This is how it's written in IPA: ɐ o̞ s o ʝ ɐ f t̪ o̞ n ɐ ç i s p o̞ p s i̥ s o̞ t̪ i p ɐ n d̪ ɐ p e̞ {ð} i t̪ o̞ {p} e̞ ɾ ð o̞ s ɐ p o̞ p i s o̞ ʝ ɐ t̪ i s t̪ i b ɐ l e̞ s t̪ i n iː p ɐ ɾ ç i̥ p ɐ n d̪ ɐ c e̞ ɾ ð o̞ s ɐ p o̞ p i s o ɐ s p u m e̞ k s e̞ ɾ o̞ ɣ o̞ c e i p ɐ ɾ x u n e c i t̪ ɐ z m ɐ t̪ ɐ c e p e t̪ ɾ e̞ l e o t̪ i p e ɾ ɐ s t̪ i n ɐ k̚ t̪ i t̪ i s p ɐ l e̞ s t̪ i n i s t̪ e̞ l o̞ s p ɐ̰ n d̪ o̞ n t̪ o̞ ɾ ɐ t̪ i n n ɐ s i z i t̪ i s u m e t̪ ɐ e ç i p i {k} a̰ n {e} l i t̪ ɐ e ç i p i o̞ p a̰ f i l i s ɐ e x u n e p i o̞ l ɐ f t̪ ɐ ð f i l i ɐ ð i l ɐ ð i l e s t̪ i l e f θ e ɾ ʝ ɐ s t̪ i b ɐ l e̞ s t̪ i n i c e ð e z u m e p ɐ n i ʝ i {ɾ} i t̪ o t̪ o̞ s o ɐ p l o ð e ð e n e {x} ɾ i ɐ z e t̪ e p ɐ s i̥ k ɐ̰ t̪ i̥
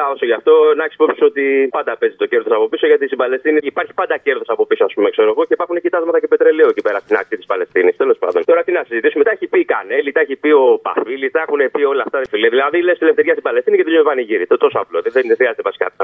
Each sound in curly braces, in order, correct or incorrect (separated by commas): incorrect, incorrect, correct, correct, correct, correct